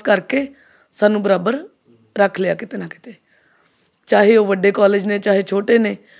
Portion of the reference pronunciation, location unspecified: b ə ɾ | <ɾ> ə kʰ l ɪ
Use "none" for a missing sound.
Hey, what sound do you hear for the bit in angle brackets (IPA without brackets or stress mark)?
ɾ